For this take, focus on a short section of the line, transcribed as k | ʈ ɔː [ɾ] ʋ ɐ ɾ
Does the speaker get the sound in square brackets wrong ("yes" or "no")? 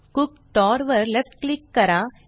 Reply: no